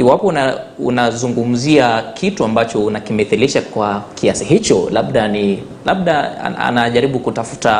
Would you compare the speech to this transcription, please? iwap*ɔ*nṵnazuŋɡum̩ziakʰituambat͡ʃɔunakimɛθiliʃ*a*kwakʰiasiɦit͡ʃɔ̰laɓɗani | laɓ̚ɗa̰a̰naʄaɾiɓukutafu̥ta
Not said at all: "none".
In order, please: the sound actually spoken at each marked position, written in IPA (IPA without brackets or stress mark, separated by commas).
ɔ, a